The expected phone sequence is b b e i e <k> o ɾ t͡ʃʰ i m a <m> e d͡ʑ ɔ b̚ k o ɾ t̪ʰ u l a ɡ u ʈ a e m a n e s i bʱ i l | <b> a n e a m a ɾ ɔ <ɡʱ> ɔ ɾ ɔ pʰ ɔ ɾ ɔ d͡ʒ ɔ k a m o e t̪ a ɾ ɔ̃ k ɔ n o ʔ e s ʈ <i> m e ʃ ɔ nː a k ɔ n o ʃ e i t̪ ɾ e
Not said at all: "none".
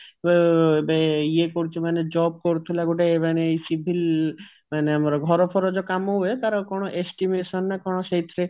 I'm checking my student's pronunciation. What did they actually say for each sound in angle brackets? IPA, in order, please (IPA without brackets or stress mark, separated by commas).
k, n, m, ɡʱ, i